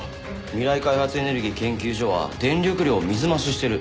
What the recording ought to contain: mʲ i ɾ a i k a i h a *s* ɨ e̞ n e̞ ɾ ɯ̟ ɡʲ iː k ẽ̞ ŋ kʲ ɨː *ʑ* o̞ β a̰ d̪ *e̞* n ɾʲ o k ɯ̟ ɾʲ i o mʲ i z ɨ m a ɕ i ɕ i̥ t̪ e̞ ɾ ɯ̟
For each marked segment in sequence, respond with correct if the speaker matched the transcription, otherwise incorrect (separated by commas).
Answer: incorrect, correct, incorrect